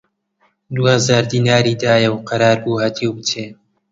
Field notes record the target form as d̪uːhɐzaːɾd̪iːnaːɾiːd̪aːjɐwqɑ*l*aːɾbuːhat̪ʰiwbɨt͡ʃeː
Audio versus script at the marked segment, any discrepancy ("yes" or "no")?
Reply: yes